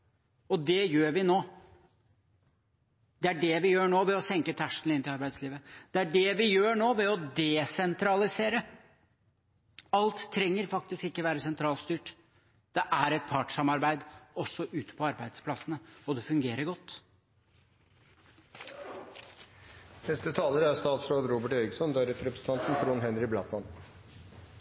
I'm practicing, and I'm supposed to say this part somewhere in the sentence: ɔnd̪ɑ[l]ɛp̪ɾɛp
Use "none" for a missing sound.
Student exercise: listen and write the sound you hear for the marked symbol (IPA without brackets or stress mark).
ɾ